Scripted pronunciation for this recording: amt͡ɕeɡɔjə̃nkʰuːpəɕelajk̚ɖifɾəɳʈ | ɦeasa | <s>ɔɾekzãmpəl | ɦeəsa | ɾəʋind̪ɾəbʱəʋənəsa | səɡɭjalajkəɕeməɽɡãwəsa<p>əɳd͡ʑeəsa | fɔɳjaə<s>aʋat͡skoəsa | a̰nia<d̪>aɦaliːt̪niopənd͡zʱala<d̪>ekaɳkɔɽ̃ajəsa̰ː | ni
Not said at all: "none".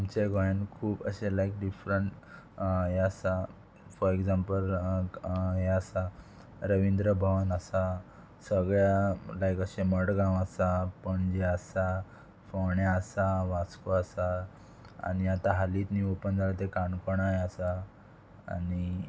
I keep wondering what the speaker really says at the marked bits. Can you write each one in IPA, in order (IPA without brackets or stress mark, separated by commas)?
f, p, s, t̪, t̪